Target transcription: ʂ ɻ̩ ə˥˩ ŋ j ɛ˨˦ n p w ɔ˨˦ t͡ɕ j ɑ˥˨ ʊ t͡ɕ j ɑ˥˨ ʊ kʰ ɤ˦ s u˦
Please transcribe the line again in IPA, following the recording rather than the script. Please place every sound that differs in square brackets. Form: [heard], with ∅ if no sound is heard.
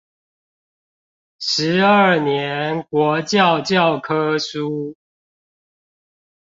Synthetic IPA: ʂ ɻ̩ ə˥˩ [n] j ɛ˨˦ n [k] w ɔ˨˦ t͡ɕ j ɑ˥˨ ʊ t͡ɕ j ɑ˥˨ ʊ kʰ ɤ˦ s u˦